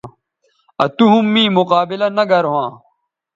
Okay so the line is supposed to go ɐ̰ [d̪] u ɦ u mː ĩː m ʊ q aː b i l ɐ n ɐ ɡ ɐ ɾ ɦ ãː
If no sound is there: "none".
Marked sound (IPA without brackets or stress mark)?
t̪